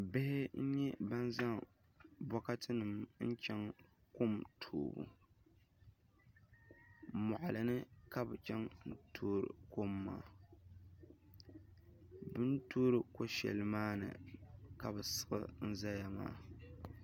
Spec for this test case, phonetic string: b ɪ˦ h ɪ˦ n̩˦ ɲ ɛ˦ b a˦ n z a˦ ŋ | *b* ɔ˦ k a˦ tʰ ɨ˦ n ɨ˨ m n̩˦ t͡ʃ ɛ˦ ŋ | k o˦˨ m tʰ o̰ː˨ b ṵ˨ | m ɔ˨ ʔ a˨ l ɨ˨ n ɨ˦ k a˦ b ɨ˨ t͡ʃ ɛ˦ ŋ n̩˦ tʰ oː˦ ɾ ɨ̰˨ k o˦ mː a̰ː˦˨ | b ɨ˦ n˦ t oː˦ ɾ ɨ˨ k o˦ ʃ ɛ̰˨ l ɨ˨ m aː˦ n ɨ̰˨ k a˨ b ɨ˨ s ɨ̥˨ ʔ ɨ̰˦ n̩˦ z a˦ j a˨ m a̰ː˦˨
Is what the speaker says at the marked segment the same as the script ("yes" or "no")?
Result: yes